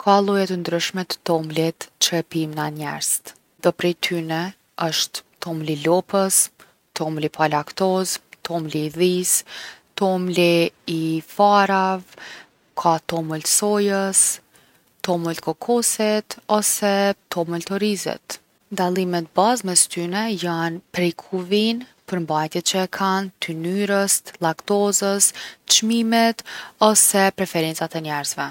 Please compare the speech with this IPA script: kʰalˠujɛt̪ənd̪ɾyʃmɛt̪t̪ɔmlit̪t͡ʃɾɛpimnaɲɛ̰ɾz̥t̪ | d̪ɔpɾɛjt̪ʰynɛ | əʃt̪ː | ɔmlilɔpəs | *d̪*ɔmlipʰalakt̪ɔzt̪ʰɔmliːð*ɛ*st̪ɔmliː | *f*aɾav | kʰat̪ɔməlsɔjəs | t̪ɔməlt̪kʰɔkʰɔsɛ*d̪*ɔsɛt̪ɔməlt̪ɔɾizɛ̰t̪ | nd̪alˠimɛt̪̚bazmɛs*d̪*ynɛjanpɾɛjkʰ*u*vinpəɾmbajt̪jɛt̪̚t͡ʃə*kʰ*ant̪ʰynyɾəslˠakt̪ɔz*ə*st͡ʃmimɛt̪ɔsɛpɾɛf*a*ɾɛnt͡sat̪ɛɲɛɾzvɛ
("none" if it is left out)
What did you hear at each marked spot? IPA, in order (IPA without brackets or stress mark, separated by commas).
t̪, i, f, t̪, t̪, u, kʰ, ə, ɛ